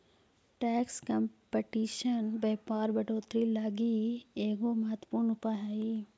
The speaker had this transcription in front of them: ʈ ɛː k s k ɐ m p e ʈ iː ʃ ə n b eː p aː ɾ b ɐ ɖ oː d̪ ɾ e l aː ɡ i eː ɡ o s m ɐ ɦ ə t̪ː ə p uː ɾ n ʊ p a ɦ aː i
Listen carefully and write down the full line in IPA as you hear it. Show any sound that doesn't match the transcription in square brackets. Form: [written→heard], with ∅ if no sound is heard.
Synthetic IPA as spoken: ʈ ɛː k s k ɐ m p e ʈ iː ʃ ə n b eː p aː ɾ b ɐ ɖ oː [d̪→t̪] ɾ [e→i] l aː ɡ i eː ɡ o [s→∅] m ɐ ɦ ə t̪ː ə p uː ɾ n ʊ p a ɦ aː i

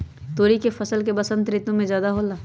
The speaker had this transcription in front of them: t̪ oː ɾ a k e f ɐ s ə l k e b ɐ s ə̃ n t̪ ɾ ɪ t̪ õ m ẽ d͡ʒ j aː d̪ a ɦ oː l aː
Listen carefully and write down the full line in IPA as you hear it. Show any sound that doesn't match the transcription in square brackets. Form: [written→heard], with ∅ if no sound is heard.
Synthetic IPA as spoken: t̪ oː ɾ [a→i] k e f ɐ s ə l k e b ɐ s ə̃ n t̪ ɾ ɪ t̪ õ m ẽ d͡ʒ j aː d̪ a ɦ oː l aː

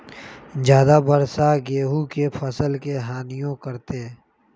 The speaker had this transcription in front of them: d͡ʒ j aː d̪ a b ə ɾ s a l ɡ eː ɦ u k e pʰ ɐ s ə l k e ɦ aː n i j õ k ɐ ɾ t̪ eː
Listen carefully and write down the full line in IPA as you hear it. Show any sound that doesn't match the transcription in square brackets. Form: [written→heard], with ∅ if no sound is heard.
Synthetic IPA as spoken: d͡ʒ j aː d̪ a b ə ɾ s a [l→∅] ɡ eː ɦ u k e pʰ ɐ s ə l k e ɦ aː n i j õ k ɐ ɾ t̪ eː

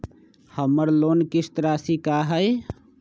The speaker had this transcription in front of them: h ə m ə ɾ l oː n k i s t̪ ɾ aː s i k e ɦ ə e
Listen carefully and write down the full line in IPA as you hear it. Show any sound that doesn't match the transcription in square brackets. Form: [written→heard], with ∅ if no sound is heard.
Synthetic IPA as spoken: h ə m ə ɾ l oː n k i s t̪ ɾ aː s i k [e→a] ɦ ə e

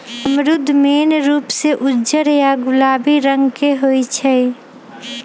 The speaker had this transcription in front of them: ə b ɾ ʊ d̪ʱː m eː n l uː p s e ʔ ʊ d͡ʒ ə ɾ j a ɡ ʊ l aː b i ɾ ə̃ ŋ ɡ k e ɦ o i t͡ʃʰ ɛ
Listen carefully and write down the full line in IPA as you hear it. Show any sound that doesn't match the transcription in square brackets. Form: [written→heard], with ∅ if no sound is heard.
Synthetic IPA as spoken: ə [b→m] ɾ ʊ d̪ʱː m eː n [l→ɾ] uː p s e ʔ ʊ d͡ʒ ə ɾ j a ɡ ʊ l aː b i ɾ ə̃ ŋ ɡ k e ɦ o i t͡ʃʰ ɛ

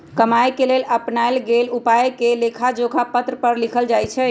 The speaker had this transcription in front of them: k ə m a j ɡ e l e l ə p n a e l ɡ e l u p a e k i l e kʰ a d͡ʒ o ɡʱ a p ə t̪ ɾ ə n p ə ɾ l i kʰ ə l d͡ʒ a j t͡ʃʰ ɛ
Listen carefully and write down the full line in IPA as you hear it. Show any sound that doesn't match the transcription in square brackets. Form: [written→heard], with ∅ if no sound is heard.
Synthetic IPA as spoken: k ə m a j [ɡ→k] e l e l ə p n a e l ɡ e l u p a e k [i→e] l e kʰ a d͡ʒ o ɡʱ a p ə t̪ ɾ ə [n→∅] p ə ɾ l i kʰ ə l d͡ʒ a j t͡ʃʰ ɛ

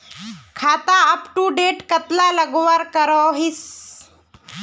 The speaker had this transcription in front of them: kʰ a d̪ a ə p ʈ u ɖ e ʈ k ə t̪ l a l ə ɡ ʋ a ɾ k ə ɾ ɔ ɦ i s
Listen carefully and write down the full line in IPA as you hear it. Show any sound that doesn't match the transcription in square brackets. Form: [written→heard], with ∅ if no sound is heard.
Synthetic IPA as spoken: kʰ a [d̪→t̪] a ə p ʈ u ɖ e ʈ k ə t̪ l a l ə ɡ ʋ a ɾ k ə ɾ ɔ ɦ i s

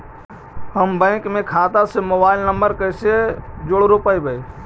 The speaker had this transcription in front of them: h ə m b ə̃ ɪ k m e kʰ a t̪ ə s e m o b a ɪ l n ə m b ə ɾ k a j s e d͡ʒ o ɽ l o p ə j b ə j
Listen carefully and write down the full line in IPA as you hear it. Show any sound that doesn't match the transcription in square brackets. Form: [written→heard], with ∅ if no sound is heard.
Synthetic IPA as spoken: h ə m b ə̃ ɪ k m e kʰ a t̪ [ə→a] s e m o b a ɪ l n ə m b ə ɾ k [a→ə] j s e d͡ʒ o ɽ [l→ɾ] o p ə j b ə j

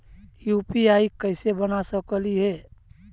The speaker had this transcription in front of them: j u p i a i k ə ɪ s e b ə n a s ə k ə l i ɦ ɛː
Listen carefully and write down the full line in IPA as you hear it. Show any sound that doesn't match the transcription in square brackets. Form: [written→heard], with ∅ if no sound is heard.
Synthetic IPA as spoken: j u p i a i k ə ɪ s e b ə n a s ə k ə l i ɦ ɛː

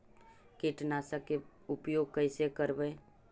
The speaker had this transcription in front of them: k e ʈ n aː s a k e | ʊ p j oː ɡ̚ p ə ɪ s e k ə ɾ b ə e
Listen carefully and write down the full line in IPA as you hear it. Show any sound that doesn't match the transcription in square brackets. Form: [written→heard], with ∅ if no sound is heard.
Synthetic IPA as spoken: k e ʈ n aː s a k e | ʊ p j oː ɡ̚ [p→k] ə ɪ s e k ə ɾ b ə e

